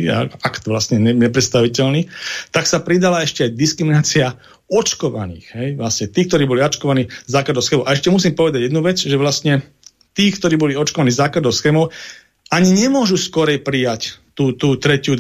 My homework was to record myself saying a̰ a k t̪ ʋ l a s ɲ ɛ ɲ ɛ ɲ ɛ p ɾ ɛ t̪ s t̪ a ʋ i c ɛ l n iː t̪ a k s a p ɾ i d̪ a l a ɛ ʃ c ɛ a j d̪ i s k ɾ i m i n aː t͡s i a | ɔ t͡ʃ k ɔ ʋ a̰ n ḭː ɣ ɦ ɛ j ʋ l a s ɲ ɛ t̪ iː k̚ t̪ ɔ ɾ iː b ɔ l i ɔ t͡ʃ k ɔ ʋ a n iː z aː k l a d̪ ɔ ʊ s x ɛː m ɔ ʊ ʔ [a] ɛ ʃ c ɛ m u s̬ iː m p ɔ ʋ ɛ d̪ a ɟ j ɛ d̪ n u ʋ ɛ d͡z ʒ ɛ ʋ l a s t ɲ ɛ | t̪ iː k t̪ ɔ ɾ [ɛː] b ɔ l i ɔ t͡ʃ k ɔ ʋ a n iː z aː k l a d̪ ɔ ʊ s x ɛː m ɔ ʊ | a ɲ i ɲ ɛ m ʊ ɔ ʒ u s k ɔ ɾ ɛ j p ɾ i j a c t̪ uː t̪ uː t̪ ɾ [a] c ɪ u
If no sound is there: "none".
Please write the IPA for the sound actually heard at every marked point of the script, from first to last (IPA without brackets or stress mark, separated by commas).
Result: a, iː, ɛ